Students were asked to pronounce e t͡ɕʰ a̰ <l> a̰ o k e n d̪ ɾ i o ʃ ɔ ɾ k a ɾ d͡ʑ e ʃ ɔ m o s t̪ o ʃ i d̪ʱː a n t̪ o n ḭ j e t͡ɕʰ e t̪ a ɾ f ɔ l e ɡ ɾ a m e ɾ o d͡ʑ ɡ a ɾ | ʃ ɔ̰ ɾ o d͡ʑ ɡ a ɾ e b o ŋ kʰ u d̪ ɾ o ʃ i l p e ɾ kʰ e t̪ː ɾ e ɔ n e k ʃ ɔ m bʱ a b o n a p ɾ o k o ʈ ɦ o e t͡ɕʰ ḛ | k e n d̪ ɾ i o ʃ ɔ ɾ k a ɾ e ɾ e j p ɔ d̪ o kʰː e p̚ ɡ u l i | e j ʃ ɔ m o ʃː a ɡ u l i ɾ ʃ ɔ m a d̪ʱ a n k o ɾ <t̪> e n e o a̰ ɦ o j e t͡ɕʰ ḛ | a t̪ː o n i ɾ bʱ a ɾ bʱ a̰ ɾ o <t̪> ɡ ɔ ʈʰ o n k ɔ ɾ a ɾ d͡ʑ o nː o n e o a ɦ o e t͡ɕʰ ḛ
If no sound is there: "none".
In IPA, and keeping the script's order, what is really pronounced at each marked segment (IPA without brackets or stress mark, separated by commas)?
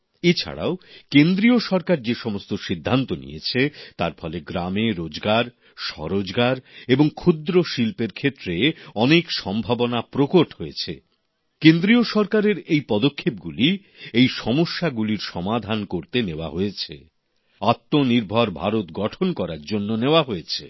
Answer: ɽ, t̪, t̪